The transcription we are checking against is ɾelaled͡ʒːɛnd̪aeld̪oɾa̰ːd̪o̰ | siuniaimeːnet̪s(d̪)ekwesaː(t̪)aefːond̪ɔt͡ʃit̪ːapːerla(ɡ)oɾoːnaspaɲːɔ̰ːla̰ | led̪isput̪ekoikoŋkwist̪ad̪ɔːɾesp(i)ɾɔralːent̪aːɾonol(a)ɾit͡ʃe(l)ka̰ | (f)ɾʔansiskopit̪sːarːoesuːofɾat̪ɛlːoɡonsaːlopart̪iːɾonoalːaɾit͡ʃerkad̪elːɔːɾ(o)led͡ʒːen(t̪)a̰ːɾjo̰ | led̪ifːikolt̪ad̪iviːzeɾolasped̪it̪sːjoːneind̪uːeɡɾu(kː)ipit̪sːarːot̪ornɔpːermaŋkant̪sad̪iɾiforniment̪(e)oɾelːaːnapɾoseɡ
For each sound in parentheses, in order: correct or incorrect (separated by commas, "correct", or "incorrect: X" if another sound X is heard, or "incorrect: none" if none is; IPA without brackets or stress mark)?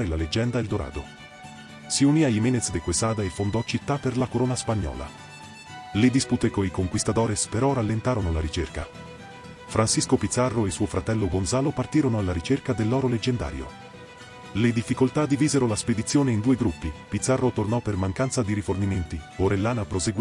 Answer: correct, incorrect: d̪, incorrect: k, incorrect: e, correct, incorrect: r, correct, correct, incorrect: d̪, incorrect: pː, incorrect: i